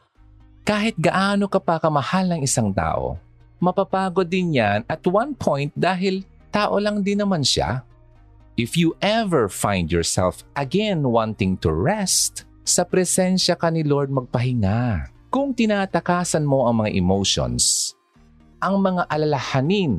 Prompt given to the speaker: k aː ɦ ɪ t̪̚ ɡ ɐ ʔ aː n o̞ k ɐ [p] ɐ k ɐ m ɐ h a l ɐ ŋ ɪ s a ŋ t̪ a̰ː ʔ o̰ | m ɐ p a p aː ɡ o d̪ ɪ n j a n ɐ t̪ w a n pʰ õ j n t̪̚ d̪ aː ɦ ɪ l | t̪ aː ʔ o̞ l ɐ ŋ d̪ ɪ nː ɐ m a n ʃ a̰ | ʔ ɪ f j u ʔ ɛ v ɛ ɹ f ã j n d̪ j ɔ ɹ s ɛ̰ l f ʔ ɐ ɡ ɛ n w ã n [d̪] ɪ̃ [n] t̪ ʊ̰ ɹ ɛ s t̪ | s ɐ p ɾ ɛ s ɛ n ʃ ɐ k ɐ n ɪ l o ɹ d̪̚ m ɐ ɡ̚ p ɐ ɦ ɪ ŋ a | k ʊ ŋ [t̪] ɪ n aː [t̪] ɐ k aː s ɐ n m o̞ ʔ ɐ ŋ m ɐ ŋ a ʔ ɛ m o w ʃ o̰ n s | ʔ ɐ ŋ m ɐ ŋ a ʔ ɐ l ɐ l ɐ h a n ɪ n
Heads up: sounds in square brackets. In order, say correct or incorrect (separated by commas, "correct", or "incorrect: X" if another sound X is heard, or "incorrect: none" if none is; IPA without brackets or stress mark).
correct, incorrect: t̪, incorrect: ŋ, correct, correct